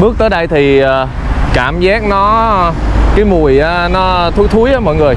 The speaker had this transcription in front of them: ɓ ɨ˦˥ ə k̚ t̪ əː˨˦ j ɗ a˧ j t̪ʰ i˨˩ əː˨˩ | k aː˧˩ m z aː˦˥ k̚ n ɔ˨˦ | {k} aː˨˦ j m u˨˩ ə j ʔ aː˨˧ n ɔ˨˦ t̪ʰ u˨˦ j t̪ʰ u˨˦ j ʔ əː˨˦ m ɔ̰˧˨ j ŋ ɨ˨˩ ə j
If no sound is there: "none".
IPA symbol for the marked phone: k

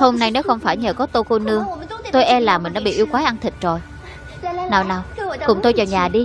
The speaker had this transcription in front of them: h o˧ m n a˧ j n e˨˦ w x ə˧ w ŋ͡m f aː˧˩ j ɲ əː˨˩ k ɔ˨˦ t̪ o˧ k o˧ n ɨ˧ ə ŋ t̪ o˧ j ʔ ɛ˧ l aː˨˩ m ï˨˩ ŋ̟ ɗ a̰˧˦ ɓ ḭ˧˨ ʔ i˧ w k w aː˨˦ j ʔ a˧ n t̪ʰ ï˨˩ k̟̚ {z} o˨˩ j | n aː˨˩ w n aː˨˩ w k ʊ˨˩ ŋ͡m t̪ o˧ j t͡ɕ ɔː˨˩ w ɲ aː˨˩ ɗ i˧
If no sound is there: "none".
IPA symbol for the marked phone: z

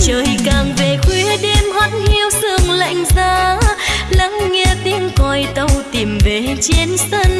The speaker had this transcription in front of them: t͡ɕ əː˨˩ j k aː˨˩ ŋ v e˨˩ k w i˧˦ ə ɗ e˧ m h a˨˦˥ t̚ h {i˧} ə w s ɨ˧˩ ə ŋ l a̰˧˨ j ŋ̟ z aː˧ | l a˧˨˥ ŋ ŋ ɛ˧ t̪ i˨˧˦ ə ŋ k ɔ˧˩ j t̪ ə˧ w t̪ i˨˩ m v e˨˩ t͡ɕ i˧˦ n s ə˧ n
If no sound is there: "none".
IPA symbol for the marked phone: i˧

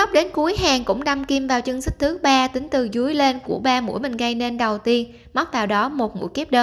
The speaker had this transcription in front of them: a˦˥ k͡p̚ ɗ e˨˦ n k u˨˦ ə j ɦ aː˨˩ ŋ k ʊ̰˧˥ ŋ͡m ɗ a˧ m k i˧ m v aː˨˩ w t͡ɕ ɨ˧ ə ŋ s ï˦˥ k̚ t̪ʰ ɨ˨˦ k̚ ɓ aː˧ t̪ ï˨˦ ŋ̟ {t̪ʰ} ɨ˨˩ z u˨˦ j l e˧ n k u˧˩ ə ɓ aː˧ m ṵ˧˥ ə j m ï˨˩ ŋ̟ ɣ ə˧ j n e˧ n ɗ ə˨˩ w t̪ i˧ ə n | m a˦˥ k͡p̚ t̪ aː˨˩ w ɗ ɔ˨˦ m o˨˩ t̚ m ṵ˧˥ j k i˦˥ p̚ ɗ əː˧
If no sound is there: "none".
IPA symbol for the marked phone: t̪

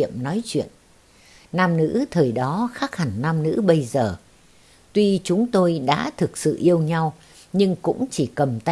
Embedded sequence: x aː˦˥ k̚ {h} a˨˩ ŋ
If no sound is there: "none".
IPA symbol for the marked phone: h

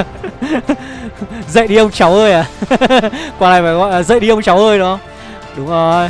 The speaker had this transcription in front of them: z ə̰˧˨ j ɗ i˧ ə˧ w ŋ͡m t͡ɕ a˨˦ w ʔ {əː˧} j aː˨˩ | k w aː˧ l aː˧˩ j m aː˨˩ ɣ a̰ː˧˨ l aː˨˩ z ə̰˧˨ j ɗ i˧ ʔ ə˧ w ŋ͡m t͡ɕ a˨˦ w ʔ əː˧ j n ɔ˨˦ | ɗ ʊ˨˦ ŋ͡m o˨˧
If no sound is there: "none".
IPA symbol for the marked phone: əː˧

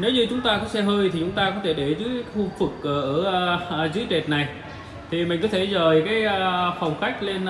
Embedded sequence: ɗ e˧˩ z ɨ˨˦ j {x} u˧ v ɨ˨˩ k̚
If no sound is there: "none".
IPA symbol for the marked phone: x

